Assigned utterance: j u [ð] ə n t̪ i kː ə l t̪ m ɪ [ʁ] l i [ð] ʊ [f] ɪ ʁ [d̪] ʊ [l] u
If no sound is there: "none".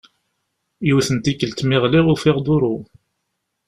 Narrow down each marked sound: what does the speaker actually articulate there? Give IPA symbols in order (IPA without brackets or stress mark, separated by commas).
θ, ʁ, ʁ, f, d̪, ɾ